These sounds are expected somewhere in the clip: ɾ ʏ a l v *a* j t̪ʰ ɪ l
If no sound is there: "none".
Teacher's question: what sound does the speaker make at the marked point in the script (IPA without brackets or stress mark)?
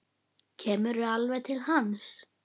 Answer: ɛ